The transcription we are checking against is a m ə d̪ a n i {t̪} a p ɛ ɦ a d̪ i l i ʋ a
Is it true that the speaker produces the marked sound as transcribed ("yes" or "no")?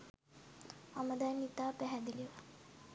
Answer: yes